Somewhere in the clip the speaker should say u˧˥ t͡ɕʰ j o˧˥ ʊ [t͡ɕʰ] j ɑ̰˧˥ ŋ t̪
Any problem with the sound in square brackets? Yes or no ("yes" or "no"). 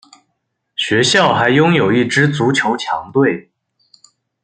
no